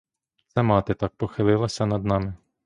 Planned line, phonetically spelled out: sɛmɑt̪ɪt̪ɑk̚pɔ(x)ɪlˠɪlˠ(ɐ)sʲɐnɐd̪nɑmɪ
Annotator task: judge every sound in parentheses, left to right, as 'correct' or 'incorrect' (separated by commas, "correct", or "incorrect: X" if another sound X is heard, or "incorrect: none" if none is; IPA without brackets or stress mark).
correct, correct